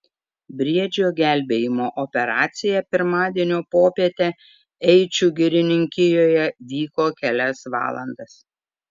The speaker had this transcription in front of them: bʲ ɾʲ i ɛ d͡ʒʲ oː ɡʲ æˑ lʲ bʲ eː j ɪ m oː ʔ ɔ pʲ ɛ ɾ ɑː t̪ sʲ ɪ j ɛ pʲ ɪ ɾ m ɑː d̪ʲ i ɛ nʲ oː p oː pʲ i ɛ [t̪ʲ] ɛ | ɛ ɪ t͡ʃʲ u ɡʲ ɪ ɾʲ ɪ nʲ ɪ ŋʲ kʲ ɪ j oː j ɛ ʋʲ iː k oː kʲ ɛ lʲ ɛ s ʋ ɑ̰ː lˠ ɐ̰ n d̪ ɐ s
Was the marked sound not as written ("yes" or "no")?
no